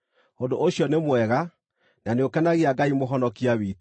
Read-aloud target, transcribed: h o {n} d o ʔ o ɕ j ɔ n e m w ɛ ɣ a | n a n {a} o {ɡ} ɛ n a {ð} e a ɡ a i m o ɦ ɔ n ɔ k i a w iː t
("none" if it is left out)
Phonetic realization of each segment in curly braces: n, e, k, ɣ

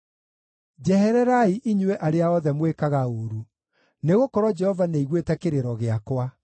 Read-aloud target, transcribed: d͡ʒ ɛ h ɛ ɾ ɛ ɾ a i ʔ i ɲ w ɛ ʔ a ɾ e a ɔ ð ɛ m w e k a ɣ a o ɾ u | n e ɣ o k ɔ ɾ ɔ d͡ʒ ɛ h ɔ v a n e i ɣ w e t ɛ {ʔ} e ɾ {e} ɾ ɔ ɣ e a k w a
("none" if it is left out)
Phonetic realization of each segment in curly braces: k, e

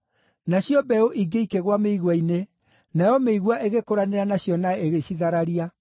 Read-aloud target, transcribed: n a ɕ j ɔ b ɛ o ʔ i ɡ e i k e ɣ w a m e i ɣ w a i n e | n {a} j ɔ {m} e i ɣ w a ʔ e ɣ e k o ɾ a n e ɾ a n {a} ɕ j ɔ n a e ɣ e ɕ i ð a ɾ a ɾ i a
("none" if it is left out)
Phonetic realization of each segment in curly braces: a, m, a

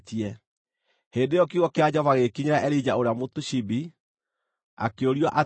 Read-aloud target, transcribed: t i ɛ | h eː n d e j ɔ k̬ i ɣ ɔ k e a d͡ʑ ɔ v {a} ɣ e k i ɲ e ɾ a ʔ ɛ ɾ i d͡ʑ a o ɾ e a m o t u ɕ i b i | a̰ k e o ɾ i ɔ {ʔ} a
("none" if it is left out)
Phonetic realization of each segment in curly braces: a, ʔ

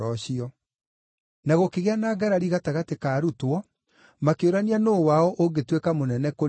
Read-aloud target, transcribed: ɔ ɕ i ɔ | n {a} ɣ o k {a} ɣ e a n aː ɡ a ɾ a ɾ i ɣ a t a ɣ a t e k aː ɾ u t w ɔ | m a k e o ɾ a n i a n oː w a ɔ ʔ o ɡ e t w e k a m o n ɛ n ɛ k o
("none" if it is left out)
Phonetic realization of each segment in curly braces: a, e

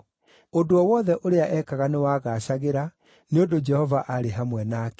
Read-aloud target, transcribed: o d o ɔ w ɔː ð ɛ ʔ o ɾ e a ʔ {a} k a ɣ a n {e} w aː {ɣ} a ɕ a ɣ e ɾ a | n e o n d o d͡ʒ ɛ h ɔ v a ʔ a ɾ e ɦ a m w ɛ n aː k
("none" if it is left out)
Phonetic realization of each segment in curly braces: ɛ, e, ɣ

